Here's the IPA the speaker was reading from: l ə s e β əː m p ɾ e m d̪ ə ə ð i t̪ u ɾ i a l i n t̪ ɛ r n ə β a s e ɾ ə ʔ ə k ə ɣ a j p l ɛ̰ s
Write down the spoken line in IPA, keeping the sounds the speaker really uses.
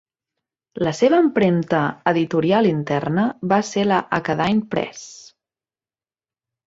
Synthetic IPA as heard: l ə s e β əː m p ɾ e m t̪ ə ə ð i t̪ u ɾ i a l i n t̪ ɛ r n ə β a s e l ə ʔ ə k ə ð a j p ɾ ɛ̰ s